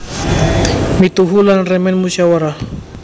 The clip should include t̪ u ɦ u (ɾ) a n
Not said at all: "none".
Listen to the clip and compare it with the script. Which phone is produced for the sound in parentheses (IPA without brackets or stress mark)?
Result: l